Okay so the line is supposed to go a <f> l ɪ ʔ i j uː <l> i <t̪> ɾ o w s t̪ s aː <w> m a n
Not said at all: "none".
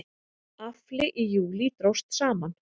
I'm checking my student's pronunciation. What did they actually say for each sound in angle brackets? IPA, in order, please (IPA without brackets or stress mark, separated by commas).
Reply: f, l, t̪, none